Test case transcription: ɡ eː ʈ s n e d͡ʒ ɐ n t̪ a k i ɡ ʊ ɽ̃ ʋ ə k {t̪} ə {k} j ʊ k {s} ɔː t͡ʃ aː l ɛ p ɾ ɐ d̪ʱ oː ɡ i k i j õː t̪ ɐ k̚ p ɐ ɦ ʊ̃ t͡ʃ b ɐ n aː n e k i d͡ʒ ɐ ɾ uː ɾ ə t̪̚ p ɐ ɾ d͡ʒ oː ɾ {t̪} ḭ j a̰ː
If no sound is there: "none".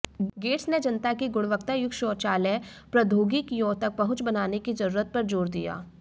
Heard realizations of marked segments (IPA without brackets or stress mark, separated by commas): t̪, none, ʃ, d̪